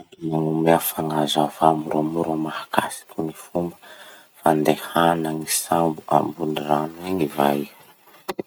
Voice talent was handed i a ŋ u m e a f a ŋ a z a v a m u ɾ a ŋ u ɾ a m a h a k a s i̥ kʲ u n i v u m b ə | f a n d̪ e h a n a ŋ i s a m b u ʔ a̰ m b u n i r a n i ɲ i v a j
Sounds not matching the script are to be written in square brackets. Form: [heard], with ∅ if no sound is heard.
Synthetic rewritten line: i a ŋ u m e a f a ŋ a z a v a m u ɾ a [m] u ɾ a m a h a k a s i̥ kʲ u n i [f] u m b ə | f a n d̪ e h a n a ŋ i s a m b u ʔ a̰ m b u n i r a n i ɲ i v a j